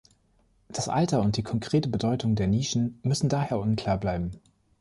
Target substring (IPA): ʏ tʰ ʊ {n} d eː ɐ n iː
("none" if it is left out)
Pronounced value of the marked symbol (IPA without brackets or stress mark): ŋ